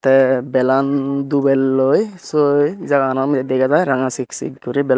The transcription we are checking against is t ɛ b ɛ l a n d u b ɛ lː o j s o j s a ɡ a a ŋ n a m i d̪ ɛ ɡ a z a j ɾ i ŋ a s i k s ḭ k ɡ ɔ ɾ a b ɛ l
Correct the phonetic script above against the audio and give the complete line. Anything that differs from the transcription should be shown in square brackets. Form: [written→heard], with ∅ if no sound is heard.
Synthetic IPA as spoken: t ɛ b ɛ l a n d u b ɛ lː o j s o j [s→z] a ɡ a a [ŋ→∅] n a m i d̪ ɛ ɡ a z a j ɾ [i→a] ŋ a s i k s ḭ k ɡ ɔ ɾ [a→i] b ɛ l